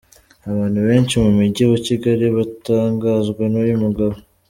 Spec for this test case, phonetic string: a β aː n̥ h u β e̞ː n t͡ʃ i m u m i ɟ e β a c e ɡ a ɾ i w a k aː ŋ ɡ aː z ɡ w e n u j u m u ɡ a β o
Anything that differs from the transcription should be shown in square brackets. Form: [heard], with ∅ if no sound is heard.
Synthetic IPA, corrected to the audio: a β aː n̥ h u β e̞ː n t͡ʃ i m u m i ɟ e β a c [i] ɡ a ɾ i [β] a [t] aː ŋ ɡ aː z ɡ w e n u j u m u ɡ a β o